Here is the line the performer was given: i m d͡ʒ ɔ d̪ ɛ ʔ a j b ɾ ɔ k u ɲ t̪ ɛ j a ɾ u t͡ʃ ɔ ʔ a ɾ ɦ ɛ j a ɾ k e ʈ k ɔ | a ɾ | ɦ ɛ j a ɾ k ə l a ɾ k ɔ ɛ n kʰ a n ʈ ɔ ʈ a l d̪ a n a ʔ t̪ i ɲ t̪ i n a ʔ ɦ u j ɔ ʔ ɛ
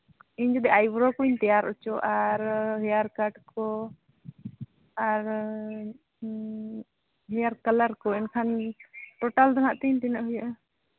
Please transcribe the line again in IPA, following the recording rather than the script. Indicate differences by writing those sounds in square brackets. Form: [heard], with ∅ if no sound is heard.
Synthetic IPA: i [ɲ] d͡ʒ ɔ d̪ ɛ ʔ a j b ɾ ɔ k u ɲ t̪ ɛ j a ɾ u t͡ʃ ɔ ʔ a ɾ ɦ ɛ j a ɾ k [a] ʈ k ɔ | a ɾ | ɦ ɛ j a ɾ k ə l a ɾ k ɔ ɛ n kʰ a n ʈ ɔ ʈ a l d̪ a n a ʔ t̪ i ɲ t̪ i n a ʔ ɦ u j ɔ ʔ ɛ